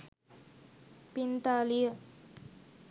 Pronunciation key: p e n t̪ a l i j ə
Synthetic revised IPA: p i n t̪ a l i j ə